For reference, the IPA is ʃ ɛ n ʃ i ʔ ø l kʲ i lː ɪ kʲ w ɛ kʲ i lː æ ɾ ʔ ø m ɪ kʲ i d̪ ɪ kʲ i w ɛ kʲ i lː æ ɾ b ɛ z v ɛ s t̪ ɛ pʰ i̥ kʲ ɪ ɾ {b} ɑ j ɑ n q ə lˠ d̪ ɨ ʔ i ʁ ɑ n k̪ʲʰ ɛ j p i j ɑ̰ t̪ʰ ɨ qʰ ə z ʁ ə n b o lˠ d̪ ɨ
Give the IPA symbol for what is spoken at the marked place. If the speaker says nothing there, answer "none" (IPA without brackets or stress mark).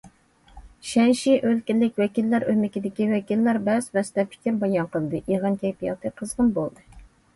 b